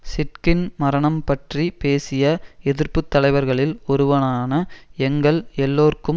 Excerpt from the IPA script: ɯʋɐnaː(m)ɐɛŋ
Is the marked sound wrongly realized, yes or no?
yes